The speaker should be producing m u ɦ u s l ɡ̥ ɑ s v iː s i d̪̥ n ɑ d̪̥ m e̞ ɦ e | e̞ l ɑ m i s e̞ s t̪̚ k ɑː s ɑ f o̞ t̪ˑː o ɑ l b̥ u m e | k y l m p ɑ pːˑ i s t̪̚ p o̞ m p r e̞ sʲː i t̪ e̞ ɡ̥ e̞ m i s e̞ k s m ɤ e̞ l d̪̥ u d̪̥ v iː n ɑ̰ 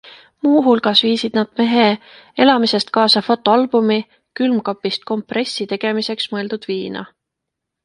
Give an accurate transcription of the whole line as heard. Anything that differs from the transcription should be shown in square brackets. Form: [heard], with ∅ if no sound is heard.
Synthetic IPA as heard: m [uː] ɦ u [∅] l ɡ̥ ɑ s v iː s i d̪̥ n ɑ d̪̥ m e̞ ɦ e | e̞ l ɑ m i s e̞ s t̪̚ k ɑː s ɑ f o̞ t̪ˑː o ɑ l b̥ u m [i] | k y l m [k] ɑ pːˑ i s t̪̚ [k] o̞ m p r e̞ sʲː i t̪ e̞ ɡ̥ e̞ m i s e̞ k s m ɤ e̞ l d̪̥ u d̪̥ v iː n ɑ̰